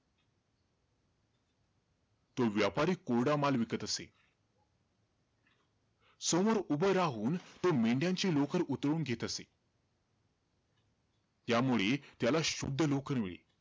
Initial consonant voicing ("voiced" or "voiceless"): voiceless